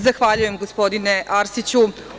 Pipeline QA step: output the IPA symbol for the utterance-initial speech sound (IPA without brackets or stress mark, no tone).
z